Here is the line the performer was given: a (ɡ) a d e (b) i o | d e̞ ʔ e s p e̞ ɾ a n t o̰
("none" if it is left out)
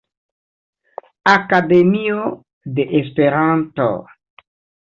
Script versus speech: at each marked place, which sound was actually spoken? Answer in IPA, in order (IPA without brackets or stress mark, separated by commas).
k, m